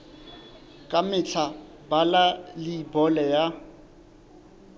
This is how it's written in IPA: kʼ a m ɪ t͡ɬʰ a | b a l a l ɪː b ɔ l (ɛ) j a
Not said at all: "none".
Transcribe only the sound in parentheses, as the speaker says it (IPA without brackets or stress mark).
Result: ɛ